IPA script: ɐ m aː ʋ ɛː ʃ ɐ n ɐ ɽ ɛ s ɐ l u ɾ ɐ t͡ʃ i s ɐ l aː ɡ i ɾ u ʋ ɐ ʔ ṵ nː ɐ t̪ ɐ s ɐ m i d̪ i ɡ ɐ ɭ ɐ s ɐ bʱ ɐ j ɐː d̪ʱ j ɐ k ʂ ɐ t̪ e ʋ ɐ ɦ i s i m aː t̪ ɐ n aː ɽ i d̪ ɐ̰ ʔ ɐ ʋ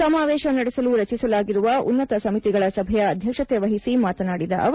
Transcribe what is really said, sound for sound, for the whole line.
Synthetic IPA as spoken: ɐ m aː ʋ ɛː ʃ ɐ n ɐ ɽ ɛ s ɐ l u ɾ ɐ t͡ʃ i s ɐ l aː ɡ i ɾ u ʋ ɐ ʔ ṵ nː ɐ t̪ ɐ s ɐ m i t̪ i ɡ ɐ ɭ ɐ s ɐ bʱ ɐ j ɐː d̪ʱ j ɐ k ʂ ɐ t̪ e ʋ ɐ ɦ i s i m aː t̪ ɐ n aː ɽ i d̪ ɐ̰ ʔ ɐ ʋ